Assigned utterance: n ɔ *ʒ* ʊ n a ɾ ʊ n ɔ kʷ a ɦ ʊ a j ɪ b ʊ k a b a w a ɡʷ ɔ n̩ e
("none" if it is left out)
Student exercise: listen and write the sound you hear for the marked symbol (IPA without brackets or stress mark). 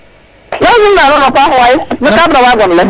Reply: z